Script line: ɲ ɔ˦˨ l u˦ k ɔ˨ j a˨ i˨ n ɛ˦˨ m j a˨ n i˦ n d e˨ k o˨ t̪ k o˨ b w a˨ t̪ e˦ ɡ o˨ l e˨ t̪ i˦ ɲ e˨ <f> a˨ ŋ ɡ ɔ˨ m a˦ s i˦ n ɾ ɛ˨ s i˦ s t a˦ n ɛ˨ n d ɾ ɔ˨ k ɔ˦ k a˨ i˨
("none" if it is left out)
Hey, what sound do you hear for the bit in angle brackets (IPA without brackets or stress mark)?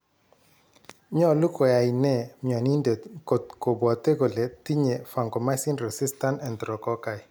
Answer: f